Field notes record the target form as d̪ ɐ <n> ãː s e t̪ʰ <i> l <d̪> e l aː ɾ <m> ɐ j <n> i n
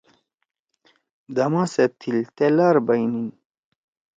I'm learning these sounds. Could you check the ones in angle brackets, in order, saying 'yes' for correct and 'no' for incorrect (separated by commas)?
no, yes, no, no, yes